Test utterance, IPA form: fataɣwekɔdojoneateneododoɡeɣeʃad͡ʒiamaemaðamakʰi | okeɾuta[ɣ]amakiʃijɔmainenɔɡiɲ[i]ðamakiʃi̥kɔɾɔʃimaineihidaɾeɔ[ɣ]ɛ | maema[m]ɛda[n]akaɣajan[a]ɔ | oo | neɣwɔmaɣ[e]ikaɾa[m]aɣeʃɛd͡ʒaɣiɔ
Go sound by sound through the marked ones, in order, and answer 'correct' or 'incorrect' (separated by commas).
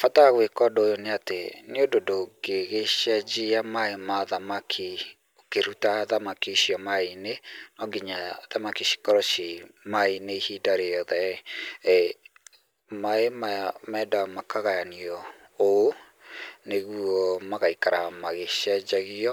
incorrect, incorrect, incorrect, correct, incorrect, incorrect, incorrect, correct